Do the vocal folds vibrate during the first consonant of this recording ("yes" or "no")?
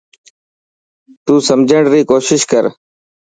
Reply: no